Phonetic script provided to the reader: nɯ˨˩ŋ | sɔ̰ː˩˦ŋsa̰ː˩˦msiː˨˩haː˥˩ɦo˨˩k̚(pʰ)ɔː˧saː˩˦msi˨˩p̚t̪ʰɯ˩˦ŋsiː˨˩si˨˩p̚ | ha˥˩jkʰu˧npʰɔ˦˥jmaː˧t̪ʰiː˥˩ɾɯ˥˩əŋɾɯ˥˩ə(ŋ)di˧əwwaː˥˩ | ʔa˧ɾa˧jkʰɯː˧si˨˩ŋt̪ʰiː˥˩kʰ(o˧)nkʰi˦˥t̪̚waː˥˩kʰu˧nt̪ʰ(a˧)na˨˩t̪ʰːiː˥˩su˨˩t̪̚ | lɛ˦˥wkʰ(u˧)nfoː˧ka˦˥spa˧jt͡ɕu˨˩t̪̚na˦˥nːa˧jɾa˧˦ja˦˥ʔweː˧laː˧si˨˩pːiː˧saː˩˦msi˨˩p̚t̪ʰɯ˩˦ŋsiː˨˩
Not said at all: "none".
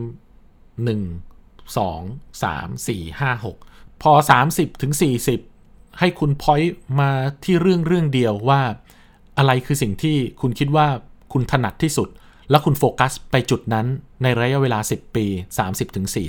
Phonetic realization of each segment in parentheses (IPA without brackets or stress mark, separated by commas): pʰ, ŋ, u˧, a˧, u˧